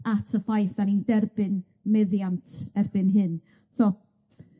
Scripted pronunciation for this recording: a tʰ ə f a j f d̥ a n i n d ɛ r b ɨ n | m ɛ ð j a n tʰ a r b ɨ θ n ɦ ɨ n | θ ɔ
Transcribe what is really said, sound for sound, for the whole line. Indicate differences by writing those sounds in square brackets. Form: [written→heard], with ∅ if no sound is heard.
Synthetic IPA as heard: a tʰ ə f a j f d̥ a n i n d ɛ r b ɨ n | m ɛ ð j a n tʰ [a→ɛ] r b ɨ [θ→∅] n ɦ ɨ n | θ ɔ